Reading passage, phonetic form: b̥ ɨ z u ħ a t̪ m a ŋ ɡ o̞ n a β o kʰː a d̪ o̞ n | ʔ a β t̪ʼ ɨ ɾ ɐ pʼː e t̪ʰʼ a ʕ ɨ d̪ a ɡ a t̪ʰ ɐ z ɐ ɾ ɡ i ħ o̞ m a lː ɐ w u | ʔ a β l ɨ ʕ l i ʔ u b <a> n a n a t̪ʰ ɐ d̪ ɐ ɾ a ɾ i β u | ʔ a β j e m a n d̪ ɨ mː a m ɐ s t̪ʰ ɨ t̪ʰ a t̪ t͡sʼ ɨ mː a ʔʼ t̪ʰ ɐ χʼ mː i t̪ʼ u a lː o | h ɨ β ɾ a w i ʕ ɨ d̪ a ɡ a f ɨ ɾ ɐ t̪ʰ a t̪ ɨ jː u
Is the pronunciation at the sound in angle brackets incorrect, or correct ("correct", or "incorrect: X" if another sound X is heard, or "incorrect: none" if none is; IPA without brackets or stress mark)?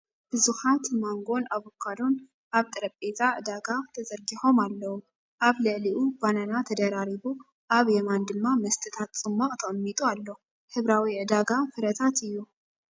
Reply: correct